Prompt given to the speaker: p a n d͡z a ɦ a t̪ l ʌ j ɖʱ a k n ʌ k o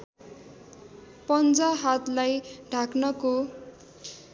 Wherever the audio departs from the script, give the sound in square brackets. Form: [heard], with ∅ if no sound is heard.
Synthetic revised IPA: p [ʌ] n d͡z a ɦ a t̪ l [a] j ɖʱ a k n ʌ k o